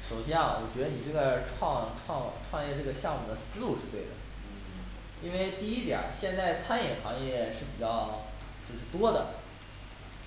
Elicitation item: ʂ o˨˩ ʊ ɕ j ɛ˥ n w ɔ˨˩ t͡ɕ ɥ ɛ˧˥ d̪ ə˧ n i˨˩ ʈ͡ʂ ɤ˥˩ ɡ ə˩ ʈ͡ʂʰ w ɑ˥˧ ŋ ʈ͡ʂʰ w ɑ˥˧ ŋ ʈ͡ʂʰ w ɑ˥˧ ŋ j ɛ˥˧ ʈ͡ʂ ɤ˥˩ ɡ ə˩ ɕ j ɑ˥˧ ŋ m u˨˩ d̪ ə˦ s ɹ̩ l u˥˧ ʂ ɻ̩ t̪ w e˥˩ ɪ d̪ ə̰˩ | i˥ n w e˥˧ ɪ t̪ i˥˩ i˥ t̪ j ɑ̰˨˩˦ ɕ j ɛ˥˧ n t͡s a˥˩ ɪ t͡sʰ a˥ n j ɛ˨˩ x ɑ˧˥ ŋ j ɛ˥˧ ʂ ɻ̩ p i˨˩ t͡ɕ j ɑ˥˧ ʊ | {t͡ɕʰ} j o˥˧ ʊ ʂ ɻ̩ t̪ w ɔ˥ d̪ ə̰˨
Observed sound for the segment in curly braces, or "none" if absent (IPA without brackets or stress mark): t͡ɕ